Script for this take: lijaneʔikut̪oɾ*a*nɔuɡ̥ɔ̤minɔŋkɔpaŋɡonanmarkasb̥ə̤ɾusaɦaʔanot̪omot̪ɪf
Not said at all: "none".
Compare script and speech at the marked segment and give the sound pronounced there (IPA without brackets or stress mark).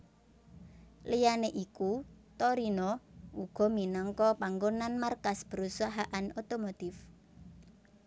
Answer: i